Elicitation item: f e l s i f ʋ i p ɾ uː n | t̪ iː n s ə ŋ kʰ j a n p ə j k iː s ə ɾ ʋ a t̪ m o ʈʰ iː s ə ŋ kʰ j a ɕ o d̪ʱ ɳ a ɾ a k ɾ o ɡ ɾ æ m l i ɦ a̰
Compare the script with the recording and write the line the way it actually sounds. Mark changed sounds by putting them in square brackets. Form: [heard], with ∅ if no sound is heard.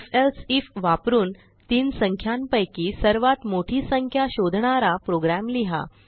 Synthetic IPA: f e l s i f ʋ [a] p ɾ uː n | t̪ iː n s ə ŋ kʰ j a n p ə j k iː s ə ɾ ʋ a t̪ m o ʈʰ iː s ə ŋ kʰ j a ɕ o d̪ʱ ɳ a ɾ a [p] ɾ o ɡ ɾ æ m l i ɦ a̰